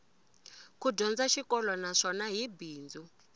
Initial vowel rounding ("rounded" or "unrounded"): rounded